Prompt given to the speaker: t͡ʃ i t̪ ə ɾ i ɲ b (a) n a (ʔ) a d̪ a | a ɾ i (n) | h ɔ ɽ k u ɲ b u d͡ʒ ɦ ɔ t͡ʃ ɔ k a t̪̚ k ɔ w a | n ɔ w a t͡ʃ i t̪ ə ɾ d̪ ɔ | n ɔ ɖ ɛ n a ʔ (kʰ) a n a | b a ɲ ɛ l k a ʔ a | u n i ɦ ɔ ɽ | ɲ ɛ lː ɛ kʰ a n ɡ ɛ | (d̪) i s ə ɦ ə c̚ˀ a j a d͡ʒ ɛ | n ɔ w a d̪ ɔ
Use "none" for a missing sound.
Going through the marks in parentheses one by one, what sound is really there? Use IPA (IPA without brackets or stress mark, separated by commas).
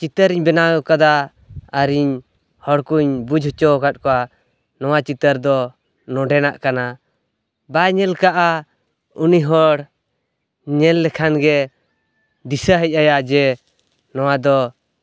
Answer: ɛ, k, ɲ, k, d̪